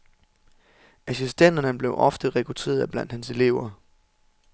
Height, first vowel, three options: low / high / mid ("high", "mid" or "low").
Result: low